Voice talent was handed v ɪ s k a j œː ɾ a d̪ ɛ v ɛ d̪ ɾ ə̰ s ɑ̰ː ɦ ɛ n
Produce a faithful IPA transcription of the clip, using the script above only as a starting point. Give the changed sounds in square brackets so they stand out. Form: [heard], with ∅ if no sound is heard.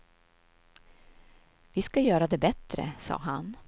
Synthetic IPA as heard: v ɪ s k a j œː ɾ a d̪ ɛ [b] ɛ [t̪] ɾ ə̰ s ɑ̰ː ɦ [a] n

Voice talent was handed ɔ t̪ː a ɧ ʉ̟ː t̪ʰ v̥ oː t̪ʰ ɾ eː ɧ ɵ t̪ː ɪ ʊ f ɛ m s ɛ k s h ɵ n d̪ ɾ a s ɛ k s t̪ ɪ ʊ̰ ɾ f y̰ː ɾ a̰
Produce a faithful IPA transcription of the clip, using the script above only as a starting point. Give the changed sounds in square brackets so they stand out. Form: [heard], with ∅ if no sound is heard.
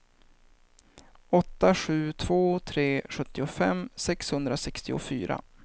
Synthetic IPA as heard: ɔ t̪ː a ɧ ʉ̟ː t̪ʰ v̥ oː t̪ʰ ɾ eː ɧ ɵ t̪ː ɪ ʊ f ɛ m s ɛ k s h ɵ n d̪ ɾ a s ɛ k s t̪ ɪ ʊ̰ [∅] f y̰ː ɾ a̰

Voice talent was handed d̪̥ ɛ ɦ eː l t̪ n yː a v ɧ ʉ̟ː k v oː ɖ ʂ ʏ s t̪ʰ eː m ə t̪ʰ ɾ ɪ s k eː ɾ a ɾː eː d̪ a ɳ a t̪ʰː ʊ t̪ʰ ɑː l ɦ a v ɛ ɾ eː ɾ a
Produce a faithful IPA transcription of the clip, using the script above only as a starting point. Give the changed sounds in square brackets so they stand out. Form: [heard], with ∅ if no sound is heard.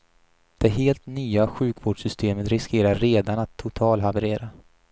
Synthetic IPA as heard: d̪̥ ɛ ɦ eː l t̪ n yː a [∅] ɧ ʉ̟ː k v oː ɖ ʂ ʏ s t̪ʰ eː m ə [t̪] ɾ ɪ s k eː ɾ a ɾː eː d̪ a [n] a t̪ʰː ʊ t̪ʰ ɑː l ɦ a v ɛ ɾ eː ɾ a

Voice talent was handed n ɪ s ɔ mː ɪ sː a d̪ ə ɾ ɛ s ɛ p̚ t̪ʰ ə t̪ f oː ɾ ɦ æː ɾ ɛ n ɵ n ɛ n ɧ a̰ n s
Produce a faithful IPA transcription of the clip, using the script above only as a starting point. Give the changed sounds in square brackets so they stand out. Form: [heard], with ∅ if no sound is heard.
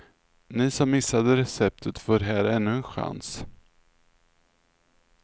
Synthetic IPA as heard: n ɪ s ɔ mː ɪ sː a d̪ ə ɾ ɛ s ɛ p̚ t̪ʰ ə t̪ f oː ɾ ɦ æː ɾ ɛ [nː] ɵ [∅] ɛ n ɧ a̰ n s

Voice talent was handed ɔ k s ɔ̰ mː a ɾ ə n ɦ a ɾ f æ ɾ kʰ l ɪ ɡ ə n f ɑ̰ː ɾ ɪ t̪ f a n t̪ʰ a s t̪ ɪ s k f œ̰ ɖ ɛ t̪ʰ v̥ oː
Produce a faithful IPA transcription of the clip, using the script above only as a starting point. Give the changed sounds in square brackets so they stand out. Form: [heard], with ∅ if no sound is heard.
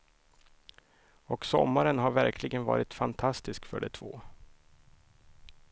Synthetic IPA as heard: ɔ k s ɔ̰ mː a ɾ ə n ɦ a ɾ [v] æ ɾ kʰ l ɪ ɡ ə n [v] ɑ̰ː ɾ ɪ t̪ f a n t̪ʰ a s t̪ ɪ s k f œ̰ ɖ ɛ t̪ʰ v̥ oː

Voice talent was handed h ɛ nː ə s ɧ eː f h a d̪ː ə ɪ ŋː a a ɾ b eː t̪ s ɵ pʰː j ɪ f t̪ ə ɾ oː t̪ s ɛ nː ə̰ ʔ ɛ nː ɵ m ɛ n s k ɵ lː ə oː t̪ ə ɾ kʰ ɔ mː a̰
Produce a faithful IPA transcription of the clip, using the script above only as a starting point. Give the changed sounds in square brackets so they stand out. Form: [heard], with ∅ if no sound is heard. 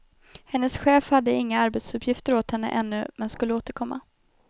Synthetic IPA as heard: h ɛ nː ə s ɧ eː f h a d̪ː ə ɪ ŋː a a ɾ b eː t̪ s ɵ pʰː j ɪ f t̪ ə ɾ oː t̪ [h] ɛ nː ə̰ ʔ ɛ nː ɵ m ɛ n s k ɵ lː ə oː t̪ ə ɾ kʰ ɔ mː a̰

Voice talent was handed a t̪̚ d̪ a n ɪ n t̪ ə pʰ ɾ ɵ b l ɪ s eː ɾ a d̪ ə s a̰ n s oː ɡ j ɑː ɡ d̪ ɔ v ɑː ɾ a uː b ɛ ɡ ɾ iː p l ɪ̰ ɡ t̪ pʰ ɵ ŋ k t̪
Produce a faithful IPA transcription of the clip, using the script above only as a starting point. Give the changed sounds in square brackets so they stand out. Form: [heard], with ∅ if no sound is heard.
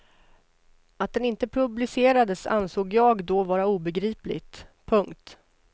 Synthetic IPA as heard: a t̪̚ d̪ [ɛ] n ɪ n t̪ ə pʰ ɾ ɵ b l ɪ s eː ɾ a d̪ ə s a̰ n s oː ɡ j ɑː ɡ d̪ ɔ v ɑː ɾ a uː b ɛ ɡ ɾ iː p l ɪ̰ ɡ t̪ pʰ ɵ ŋ k t̪

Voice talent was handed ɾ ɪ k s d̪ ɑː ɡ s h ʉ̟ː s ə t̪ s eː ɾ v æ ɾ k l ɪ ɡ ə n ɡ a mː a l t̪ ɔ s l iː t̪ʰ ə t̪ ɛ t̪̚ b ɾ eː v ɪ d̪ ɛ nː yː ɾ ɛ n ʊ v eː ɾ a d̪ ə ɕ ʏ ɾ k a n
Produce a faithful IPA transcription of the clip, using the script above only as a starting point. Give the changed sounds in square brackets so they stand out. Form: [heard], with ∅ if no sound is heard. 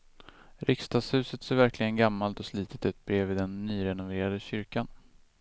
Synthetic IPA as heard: ɾ ɪ k s [t̪] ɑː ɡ s h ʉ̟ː s ə t̪ s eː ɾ v æ ɾ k l ɪ ɡ ə n ɡ a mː a l t̪ ɔ s l iː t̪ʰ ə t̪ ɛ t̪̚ b ɾ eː v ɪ d̪ ɛ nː yː ɾ ɛ n ʊ v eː ɾ a d̪ ə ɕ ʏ ɾ k a n

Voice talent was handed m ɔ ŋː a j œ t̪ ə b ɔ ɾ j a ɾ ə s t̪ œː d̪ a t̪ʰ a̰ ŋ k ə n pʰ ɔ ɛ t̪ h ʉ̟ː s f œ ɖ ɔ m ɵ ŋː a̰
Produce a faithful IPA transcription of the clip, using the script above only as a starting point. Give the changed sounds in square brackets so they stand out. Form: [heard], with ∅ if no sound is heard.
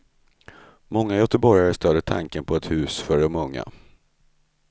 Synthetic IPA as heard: m ɔ ŋː a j œ t̪ ə b ɔ ɾ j a ɾ ə s t̪ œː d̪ [ə] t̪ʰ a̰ ŋ k ə n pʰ ɔ ɛ t̪ h ʉ̟ː s f œ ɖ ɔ m ɵ ŋː a̰

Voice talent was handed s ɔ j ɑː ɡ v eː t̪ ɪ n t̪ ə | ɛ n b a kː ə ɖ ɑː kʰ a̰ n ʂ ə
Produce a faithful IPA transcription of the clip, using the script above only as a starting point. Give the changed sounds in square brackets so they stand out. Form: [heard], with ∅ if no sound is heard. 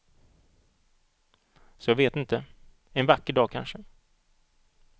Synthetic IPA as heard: s ɔ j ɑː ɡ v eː t̪ ɪ n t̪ ə | ɛ n [v] a kː ə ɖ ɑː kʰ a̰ n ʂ ə

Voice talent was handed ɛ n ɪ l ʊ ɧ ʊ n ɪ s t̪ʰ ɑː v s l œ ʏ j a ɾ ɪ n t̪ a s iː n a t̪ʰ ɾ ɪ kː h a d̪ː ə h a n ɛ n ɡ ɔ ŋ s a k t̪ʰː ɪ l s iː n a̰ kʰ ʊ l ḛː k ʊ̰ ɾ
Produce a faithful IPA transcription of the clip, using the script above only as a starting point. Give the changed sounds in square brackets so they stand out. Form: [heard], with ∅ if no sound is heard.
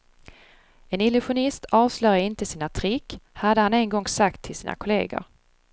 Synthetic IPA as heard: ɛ n ɪ l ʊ ɧ ʊ n ɪ s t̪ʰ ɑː v s l œ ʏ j a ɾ ɪ n t̪ [ə] s iː n a t̪ʰ ɾ ɪ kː h a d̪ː ə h a n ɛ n ɡ ɔ ŋ s a k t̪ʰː ɪ l s iː n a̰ kʰ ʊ l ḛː [ɡ] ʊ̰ ɾ

